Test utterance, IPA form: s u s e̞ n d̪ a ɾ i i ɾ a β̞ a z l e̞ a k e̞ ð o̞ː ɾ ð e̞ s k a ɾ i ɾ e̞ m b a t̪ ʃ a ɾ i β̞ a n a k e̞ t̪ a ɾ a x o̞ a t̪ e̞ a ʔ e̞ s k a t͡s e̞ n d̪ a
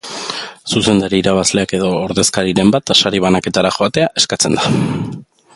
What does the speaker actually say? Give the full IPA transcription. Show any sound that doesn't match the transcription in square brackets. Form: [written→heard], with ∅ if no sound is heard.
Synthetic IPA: s u s e̞ n d̪ a ɾ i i ɾ a β̞ a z l e̞ a k e̞ ð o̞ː ɾ ð e̞ s k a ɾ i ɾ e̞ m b a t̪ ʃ a ɾ i β̞ a n a k e̞ t̪ a ɾ a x o̞ a t̪ e̞ a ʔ e̞ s k a t͡s e̞ n d̪ a